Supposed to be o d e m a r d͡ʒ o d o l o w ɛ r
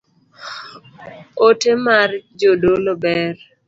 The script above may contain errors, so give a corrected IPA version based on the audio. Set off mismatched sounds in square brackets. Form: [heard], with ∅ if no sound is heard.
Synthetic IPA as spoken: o [t] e m a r d͡ʒ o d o l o [b] ɛ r